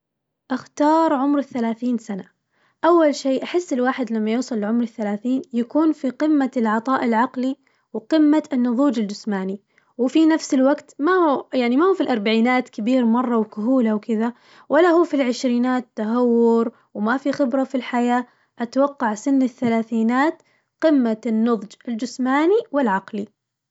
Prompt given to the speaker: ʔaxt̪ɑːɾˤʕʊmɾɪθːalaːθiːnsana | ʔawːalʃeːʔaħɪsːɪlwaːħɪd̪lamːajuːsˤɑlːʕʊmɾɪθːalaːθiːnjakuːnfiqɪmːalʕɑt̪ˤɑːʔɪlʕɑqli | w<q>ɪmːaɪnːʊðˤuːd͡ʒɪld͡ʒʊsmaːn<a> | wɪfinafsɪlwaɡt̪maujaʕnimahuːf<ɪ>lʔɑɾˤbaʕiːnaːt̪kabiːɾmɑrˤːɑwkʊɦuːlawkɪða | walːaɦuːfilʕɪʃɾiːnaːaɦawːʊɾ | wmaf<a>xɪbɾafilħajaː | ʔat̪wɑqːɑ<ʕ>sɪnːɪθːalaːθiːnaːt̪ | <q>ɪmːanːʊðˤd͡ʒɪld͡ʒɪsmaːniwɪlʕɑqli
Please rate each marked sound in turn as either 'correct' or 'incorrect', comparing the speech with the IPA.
correct, incorrect: i, incorrect: i, incorrect: i, correct, correct

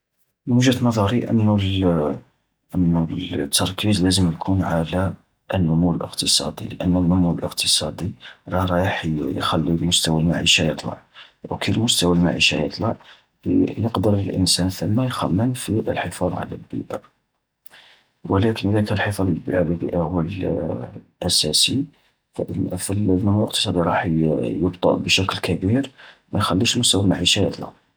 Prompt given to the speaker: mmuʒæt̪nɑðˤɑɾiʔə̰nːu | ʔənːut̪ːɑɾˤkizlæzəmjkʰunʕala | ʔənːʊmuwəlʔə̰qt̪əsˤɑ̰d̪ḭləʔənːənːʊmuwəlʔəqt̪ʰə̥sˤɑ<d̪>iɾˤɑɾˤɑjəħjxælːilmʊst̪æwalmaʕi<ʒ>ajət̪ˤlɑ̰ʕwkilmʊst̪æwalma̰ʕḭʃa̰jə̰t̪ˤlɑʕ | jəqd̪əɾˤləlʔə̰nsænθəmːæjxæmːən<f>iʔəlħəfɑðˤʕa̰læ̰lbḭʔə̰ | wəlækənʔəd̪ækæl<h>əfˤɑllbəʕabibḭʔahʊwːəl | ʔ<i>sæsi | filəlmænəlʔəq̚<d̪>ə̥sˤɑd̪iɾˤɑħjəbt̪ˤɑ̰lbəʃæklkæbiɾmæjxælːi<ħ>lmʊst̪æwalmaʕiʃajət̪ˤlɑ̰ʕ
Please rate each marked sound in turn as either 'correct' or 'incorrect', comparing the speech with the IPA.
correct, incorrect: ʃ, correct, incorrect: ħ, incorrect: æ, incorrect: t̪, incorrect: ʃ

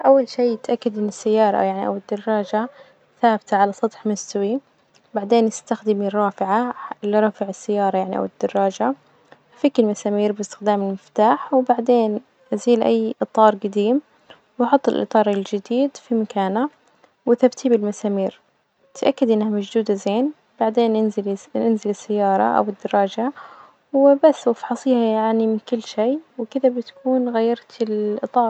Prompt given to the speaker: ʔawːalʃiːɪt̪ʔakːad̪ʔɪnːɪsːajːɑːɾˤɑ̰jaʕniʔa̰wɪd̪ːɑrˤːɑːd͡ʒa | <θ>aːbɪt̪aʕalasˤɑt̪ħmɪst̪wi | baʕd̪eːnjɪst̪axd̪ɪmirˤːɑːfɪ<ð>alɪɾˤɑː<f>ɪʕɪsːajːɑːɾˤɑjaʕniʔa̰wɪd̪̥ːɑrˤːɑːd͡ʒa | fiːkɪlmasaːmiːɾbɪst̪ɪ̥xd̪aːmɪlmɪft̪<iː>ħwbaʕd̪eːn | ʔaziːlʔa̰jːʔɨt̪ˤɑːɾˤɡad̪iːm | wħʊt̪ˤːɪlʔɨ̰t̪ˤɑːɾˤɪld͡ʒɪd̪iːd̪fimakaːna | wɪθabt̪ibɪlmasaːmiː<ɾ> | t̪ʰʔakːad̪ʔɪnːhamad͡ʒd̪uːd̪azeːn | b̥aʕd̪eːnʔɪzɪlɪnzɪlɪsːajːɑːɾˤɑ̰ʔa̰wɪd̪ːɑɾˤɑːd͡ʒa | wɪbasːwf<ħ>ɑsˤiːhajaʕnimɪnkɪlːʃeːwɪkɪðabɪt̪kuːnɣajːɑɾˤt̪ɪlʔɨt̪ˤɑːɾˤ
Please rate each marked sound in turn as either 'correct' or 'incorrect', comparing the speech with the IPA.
correct, incorrect: ʕ, correct, incorrect: aː, correct, correct

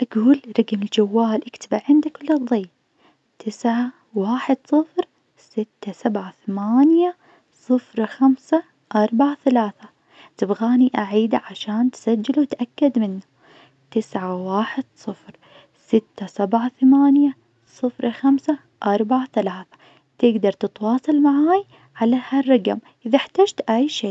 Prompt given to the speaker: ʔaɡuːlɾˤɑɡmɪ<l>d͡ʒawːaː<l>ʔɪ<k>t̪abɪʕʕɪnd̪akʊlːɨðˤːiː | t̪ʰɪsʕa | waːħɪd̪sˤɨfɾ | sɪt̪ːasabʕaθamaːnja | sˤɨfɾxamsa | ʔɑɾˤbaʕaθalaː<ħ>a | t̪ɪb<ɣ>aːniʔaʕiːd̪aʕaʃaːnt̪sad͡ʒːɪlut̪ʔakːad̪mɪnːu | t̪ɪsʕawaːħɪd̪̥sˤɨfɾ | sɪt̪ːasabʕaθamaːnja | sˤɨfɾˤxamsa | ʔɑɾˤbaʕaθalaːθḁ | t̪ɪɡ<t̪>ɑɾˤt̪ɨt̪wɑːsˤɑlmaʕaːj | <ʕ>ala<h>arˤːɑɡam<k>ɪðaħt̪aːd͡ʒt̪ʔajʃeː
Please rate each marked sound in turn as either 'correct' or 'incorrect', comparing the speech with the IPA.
correct, correct, correct, incorrect: θ, correct, incorrect: d̪, correct, correct, incorrect: ʔ

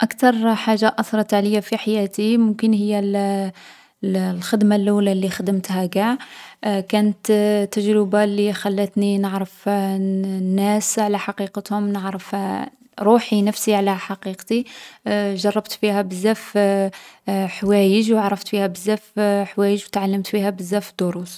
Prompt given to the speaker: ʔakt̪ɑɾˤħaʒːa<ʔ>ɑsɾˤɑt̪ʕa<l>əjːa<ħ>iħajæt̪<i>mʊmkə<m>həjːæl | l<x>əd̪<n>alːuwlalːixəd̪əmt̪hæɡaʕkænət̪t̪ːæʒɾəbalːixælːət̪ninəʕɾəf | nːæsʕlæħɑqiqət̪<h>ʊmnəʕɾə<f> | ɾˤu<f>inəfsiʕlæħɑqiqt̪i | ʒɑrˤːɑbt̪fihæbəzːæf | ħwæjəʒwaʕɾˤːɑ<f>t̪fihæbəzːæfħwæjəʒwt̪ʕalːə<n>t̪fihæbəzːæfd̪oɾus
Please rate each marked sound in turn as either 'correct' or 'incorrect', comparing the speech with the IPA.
correct, correct, incorrect: f, correct, incorrect: n, correct, incorrect: m, correct, correct, incorrect: ħ, correct, incorrect: m

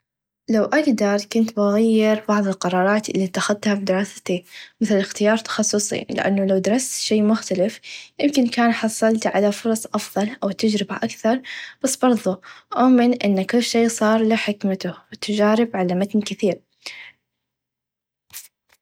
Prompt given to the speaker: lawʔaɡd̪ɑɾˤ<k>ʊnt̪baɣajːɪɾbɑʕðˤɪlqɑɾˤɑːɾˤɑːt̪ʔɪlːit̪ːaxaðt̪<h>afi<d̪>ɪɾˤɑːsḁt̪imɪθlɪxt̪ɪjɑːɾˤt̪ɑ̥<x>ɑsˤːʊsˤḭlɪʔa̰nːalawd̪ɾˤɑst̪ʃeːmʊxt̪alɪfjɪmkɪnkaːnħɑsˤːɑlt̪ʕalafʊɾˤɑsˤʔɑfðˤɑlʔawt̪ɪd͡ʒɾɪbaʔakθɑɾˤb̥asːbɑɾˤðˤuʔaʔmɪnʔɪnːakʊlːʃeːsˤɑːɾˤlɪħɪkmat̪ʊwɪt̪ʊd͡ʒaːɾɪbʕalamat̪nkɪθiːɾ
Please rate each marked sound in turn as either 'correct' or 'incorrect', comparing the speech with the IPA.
correct, correct, correct, correct

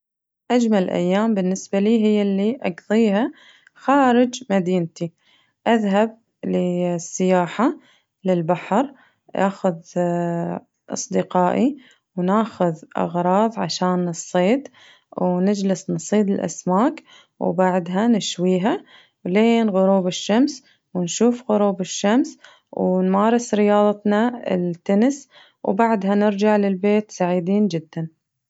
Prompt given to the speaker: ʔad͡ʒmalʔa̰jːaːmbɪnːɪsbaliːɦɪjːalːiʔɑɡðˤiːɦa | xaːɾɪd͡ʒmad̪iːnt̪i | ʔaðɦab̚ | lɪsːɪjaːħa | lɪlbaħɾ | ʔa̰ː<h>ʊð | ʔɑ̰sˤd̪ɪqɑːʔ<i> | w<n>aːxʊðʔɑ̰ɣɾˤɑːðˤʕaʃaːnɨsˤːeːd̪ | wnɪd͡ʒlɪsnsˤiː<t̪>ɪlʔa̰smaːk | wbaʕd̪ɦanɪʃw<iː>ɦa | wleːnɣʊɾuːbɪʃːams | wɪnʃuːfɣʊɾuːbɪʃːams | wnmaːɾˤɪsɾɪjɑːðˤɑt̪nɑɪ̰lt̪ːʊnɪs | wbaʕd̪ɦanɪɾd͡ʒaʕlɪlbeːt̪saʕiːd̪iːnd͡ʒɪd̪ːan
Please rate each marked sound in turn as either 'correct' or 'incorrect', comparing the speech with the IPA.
incorrect: x, correct, correct, incorrect: d̪, correct

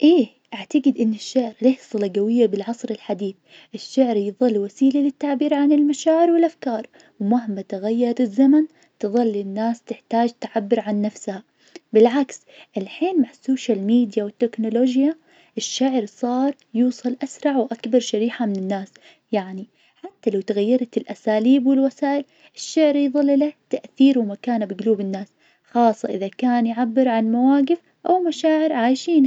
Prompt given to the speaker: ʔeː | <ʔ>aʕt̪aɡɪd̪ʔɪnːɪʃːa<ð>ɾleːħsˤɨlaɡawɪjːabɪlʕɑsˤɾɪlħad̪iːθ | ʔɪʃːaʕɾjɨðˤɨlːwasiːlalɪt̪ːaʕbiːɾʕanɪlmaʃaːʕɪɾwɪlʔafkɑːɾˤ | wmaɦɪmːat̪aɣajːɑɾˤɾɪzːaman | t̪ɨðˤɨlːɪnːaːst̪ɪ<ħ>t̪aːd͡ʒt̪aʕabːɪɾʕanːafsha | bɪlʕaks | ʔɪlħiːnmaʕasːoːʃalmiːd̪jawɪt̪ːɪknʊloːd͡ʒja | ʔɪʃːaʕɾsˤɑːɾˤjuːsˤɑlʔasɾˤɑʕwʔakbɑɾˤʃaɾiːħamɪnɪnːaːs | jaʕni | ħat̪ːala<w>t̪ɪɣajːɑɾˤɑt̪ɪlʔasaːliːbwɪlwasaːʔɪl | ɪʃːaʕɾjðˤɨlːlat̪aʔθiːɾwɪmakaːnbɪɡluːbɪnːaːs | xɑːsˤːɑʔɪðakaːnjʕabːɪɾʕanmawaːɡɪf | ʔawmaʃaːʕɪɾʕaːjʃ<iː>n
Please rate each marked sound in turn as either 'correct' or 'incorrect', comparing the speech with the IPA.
correct, incorrect: ʕ, correct, correct, correct

